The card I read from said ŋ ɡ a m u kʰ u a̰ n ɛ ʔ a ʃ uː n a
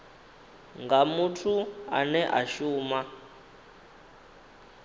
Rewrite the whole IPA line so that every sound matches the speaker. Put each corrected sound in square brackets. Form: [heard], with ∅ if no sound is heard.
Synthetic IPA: ŋ ɡ a m u [tʰ] u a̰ n ɛ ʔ a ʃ uː [m] a